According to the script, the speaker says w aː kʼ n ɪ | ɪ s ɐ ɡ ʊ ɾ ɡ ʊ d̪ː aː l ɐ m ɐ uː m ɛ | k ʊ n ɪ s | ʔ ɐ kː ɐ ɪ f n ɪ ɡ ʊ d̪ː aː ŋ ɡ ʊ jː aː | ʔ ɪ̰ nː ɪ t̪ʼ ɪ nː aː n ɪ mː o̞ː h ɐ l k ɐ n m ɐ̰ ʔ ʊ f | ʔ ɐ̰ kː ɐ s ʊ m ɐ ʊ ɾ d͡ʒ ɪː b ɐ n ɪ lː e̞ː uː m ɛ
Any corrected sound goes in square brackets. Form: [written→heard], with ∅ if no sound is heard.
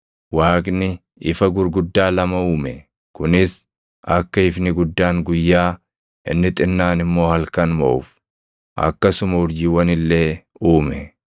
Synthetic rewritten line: w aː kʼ n ɪ | ɪ [s→f] ɐ ɡ ʊ ɾ ɡ ʊ d̪ː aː l ɐ m ɐ uː m ɛ | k ʊ n ɪ s | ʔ ɐ kː ɐ ɪ f n ɪ ɡ ʊ d̪ː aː ŋ ɡ ʊ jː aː | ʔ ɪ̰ nː ɪ t̪ʼ ɪ nː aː n ɪ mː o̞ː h ɐ l k ɐ n m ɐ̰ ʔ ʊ f | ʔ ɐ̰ kː ɐ s ʊ m ɐ ʊ ɾ d͡ʒ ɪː [b→w] ɐ n ɪ lː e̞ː uː m ɛ